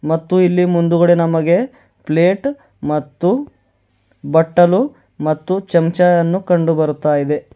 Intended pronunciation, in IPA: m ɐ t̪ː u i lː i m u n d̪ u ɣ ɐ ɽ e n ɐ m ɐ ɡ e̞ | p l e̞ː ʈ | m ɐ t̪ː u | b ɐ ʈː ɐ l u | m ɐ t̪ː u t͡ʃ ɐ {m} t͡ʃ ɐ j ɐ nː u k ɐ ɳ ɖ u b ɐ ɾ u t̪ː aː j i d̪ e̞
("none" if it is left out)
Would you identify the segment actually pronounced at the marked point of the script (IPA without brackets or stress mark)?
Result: m